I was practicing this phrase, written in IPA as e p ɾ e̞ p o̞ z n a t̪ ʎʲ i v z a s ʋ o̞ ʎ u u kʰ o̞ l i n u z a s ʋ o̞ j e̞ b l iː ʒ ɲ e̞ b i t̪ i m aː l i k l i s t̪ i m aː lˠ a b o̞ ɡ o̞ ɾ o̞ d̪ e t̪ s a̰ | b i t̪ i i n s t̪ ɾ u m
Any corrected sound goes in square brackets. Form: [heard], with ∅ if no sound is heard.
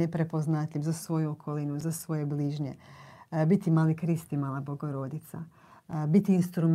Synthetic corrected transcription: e p ɾ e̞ p o̞ z n a t̪ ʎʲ i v z a s ʋ o̞ [j] u [o] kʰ o̞ l i n u z a s ʋ o̞ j e̞ b l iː ʒ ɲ e̞ b i t̪ i m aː l i k [ɾ] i s t̪ i m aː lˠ a b o̞ ɡ o̞ ɾ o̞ d̪ [i] t̪ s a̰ | b i t̪ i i n s t̪ ɾ u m